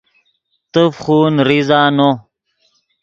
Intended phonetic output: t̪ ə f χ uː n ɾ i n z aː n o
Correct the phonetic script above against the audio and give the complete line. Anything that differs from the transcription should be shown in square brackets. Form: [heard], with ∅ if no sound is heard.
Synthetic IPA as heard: t̪ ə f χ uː n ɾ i [∅] z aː n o

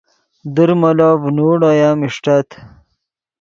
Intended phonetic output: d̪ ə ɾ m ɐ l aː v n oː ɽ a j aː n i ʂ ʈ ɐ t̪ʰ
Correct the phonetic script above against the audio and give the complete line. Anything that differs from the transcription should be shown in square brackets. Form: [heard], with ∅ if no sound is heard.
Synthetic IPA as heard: d̪ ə ɾ m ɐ l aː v n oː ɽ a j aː [m] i ʂ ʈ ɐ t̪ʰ

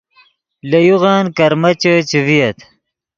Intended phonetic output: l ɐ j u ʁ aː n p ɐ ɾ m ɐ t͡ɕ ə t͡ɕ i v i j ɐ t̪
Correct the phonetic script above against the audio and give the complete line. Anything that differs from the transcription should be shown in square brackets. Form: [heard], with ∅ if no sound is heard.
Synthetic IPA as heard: l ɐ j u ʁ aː n [k] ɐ ɾ m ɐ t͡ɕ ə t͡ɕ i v i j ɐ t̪

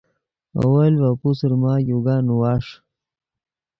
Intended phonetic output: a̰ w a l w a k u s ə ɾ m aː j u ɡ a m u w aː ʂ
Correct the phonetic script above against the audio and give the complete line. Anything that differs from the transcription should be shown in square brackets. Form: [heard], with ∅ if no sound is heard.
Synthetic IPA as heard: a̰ w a l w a [p] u s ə ɾ m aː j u ɡ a [n] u w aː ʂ

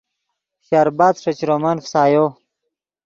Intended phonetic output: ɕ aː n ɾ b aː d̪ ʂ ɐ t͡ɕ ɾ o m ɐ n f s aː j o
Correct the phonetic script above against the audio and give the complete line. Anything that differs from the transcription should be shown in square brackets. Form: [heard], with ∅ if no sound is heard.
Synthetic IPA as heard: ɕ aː [∅] ɾ b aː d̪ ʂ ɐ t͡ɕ ɾ o m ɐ n f s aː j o

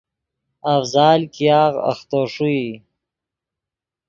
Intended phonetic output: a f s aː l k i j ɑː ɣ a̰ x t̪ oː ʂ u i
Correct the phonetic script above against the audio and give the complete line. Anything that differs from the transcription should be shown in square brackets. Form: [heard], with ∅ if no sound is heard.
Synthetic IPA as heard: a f [z] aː l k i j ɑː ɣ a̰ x t̪ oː ʂ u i

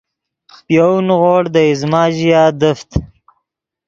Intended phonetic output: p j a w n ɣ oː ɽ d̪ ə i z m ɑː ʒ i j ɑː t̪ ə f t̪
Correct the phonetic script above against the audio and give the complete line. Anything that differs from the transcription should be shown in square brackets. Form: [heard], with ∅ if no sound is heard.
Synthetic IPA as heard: p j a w n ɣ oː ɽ d̪ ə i z m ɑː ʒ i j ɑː [d̪] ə f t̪

